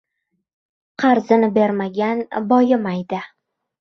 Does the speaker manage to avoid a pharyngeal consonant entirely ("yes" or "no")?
yes